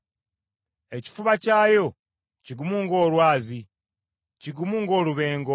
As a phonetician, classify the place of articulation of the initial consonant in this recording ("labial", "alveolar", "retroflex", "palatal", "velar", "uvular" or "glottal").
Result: palatal